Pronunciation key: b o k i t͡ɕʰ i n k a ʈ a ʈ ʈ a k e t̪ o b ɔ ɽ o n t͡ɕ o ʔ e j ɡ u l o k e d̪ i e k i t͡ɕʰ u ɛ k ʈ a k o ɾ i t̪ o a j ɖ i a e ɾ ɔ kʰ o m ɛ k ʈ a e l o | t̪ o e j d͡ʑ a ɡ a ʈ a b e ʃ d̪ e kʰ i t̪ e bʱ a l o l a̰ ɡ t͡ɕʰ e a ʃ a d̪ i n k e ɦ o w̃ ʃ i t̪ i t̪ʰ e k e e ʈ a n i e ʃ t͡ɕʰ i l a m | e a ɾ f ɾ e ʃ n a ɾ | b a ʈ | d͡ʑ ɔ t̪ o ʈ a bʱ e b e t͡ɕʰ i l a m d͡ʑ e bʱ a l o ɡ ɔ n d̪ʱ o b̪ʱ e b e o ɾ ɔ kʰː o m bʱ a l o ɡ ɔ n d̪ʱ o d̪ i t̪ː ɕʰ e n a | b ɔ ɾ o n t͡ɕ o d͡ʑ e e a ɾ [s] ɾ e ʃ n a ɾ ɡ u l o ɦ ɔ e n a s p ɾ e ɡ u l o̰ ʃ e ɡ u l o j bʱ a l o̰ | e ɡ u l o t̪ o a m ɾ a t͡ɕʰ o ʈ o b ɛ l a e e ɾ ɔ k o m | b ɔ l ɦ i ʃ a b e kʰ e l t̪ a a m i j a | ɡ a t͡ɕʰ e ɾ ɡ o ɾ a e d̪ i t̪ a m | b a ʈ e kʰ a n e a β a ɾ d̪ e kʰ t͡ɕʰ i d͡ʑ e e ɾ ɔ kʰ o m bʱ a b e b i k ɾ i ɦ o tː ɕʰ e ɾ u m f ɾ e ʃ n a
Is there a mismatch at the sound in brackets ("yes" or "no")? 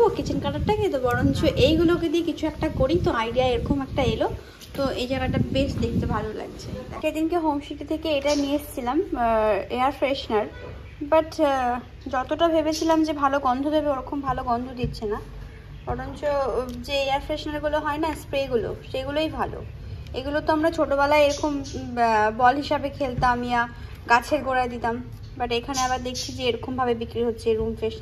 yes